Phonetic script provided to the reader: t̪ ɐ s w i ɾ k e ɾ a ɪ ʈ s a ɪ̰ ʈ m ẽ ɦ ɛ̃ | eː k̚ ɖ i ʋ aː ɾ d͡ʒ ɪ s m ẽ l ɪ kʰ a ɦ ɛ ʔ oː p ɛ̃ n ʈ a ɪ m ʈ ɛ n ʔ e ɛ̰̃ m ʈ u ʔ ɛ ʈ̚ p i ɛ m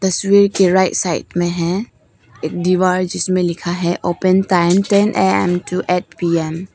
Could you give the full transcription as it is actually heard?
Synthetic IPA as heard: t̪ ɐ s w i ɾ k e ɾ a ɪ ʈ s a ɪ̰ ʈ m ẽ ɦ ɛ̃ | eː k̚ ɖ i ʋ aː ɾ d͡ʒ ɪ s m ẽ l ɪ kʰ a ɦ ɛ ʔ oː p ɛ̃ n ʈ a ɪ m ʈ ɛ n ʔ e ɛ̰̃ m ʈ u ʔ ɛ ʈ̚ p i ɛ m